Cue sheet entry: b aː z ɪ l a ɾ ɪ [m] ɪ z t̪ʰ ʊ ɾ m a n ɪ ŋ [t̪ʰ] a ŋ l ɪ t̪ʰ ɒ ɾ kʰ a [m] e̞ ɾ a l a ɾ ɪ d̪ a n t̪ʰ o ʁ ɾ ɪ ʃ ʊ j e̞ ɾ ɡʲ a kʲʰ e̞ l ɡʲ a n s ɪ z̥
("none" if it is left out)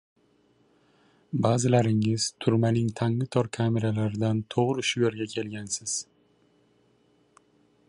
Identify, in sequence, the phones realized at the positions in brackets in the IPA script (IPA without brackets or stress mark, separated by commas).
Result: ŋ, t̪ʰ, m